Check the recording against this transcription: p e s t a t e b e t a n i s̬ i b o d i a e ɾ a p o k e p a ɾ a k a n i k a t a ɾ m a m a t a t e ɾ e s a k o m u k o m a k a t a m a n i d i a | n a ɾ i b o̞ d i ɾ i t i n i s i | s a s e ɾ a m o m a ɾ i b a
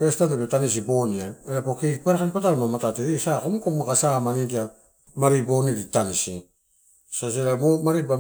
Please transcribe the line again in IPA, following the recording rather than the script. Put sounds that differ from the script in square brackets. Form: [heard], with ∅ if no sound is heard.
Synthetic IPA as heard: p e s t a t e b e t a n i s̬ i b o [n] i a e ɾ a p o k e p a ɾ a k a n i [p] a t a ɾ m a m a t a t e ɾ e s a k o m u k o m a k a [s] a m a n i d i a | [m] a ɾ i b o̞ [n] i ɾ i t [a] n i s i | s a s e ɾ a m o m a ɾ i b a

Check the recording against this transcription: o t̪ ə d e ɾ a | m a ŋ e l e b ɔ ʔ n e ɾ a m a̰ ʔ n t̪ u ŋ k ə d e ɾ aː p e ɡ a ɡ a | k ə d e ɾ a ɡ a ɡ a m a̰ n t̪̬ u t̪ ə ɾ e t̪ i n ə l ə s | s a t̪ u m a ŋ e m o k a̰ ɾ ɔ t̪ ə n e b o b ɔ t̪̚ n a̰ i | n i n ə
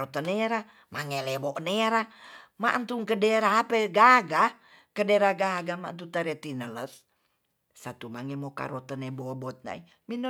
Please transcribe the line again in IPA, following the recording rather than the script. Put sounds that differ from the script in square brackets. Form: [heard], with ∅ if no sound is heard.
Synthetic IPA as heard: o t̪ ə [n] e ɾ a | m a ŋ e l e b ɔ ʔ n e ɾ a m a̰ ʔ n t̪ u ŋ k ə d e ɾ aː p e ɡ a ɡ a | k ə d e ɾ a ɡ a ɡ a m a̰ n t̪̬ u t̪ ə ɾ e t̪ i n ə l ə s | s a t̪ u m a ŋ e m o k a̰ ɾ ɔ t̪ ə n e b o b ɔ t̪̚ n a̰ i | [m] i n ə

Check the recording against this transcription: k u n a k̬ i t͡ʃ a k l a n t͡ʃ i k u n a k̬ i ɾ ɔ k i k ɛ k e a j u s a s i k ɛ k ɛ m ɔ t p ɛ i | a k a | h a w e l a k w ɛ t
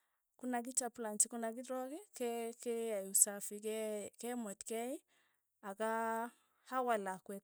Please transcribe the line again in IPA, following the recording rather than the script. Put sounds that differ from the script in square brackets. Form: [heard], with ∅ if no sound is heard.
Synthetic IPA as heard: k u n a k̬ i t͡ʃ a [p] l a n t͡ʃ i k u n a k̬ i ɾ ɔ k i k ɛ k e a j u s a [f] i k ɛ k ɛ m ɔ t [k] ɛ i | a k a | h a w [a] l a k w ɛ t

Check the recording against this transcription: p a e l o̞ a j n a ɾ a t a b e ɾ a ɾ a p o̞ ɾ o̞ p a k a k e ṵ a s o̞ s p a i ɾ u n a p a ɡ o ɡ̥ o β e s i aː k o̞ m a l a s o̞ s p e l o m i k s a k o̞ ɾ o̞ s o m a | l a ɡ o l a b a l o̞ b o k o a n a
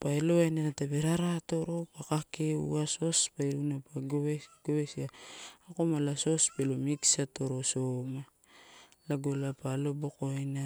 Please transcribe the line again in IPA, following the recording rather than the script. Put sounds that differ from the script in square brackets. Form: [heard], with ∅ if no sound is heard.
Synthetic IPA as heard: p a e l o̞ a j n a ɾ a t a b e ɾ a ɾ a [t] o̞ ɾ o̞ p a k a k e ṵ a s o̞ s p a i ɾ u n a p a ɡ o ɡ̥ o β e s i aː k o̞ m a l a s o̞ s p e l o m i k s a [t] o̞ ɾ o̞ s o m a | l a ɡ o l a [p] a l o̞ b o k o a n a

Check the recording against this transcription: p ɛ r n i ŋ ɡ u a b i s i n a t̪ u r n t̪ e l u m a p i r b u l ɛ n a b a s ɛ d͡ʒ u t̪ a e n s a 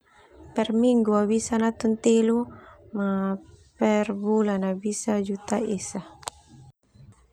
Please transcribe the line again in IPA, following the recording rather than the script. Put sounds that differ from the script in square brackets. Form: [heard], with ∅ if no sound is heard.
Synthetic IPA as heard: p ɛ r [m] i ŋ ɡ u a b i s [a] n a t̪ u [∅] n t̪ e l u m a p [ɛ] r b u l [a] n a b [i] s [a] d͡ʒ u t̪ a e [∅] s a

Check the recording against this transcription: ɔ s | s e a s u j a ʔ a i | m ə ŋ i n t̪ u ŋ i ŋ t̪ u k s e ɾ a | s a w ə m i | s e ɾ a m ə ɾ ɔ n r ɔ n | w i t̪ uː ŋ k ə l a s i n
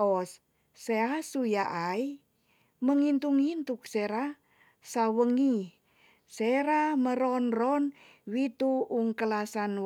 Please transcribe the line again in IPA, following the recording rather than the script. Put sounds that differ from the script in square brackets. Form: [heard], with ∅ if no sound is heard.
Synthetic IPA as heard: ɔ s | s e a s u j a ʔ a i | m ə ŋ i n t̪ u ŋ i [n] t̪ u k s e ɾ a | s a w ə [ŋ] i | s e ɾ a m ə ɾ ɔ n r ɔ n | w i t̪ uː ŋ k ə l a s [a] n

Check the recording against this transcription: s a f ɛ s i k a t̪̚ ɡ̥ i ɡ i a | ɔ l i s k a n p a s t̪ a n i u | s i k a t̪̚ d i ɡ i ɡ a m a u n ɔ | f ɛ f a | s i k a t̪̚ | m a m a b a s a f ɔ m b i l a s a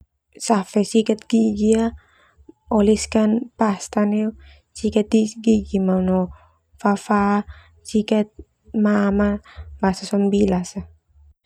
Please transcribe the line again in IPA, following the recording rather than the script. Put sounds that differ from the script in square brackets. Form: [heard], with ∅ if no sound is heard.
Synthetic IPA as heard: s a f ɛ s i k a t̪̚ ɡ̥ i ɡ i a | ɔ l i s k a n p a s t̪ a n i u | s i k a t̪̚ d i ɡ i ɡ [i] m a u n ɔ | f [a] f a | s i k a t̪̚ | m a m a b a s a [s] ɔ m b i l a s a

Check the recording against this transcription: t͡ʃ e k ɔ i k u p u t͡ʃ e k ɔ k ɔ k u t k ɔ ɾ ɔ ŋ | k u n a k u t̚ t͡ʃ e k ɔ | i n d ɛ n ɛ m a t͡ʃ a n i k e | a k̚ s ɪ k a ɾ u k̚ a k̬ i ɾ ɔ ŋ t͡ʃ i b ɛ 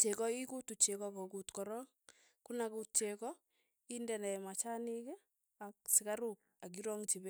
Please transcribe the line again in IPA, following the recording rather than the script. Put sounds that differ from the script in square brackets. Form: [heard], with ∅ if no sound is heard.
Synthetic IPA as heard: t͡ʃ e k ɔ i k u [t] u t͡ʃ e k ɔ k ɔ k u t k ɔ ɾ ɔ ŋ | k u n a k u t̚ t͡ʃ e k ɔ | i n d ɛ n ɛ m a t͡ʃ a n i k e | a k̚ s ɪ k a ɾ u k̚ a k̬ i ɾ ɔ ŋ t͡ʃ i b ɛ

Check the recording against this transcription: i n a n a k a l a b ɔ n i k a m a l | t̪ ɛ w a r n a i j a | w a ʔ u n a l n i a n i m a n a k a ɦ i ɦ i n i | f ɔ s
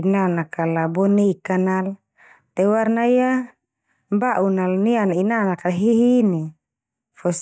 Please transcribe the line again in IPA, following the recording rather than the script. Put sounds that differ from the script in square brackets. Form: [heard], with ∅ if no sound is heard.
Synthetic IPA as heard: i n a n a k a l a b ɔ n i k a [n] a l | t̪ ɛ w a r n a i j a | [b] a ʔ u n a l n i a n i [n] a n a k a ɦ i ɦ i n i | f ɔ s

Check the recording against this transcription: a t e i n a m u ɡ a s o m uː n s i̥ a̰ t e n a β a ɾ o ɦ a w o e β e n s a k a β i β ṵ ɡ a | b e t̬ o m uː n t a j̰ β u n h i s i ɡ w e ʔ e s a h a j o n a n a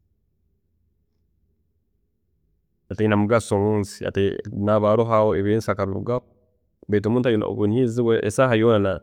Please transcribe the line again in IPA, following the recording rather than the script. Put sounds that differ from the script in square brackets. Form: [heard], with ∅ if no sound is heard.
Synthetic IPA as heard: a t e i n a m u ɡ a s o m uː n s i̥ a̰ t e n a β a ɾ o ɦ a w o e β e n s a k a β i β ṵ ɡ a | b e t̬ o m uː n t a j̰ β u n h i [z] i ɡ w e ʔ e s a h a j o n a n a

